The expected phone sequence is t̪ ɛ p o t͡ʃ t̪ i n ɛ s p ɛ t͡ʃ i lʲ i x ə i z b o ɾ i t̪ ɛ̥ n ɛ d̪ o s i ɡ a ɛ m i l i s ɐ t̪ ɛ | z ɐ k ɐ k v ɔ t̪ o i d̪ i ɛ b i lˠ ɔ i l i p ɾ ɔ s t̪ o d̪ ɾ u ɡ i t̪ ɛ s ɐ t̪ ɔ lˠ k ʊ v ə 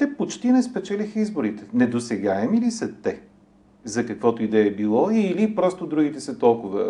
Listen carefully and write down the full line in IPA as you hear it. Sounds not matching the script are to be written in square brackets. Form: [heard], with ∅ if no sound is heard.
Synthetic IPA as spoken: t̪ ɛ p o t͡ʃ t̪ i n ɛ s p ɛ t͡ʃ [ɛ] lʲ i x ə i z b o ɾ i t̪ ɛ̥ n ɛ d̪ o s [ɛ] ɡ a ɛ m i l i s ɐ t̪ ɛ | z ɐ k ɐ k v ɔ t̪ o i d̪ [ɛ] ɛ b i lˠ ɔ i l i p ɾ ɔ s t̪ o d̪ ɾ u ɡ i t̪ ɛ s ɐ t̪ ɔ lˠ k ʊ v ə